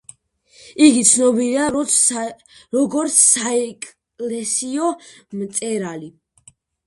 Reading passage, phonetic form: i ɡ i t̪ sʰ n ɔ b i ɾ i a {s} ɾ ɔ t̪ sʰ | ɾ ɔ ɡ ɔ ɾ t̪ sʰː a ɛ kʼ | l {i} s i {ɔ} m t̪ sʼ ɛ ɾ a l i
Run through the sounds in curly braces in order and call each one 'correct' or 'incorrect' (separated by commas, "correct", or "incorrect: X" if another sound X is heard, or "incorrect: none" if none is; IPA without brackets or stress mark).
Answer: incorrect: none, incorrect: ɛ, correct